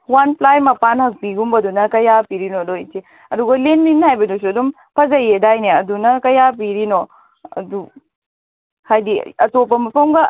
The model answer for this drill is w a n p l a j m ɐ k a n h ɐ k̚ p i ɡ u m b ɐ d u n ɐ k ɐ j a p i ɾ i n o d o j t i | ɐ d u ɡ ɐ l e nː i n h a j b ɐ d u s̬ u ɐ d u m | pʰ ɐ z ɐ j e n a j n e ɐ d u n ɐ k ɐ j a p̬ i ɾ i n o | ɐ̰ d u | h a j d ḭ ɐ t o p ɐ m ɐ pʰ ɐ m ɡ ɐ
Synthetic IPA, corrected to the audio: w a n p l a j m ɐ p a n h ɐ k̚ p i ɡ u m b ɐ d u n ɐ k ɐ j a p i ɾ i n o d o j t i | ɐ d u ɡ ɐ l e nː i n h a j b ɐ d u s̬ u ɐ d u m | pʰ ɐ z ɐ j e d a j n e ɐ d u n ɐ k ɐ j a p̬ i ɾ i n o | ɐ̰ d u | h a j d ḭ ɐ t o p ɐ m ɐ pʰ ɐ m ɡ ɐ